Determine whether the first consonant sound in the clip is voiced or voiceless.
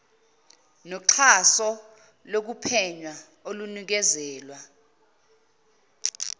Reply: voiced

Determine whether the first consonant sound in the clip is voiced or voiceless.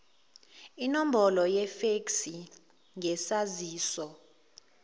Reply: voiced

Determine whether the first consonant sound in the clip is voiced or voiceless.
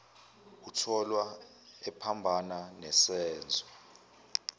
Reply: voiceless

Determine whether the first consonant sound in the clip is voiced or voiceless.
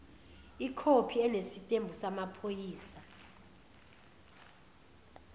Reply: voiceless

